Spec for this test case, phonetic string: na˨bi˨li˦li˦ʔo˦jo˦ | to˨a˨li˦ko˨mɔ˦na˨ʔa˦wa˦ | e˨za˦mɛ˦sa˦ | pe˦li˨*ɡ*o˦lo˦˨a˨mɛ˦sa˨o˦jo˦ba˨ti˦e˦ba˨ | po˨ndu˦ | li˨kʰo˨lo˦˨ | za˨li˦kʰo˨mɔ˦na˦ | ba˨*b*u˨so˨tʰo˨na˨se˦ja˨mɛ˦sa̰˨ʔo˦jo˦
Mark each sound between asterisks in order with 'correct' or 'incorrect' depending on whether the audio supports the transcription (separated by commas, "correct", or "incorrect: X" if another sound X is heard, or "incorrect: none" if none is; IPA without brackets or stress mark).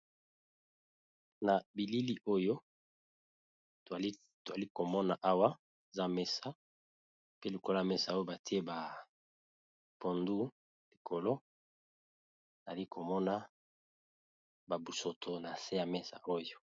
incorrect: k, correct